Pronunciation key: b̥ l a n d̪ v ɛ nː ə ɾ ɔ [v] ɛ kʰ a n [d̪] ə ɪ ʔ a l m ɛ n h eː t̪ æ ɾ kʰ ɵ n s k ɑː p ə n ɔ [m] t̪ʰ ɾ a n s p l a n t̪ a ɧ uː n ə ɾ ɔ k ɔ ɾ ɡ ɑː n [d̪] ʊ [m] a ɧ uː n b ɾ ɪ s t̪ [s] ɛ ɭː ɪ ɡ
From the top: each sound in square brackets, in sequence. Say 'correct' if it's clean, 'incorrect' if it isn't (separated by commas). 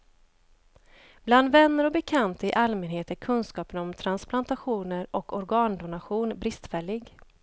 incorrect, incorrect, correct, correct, incorrect, incorrect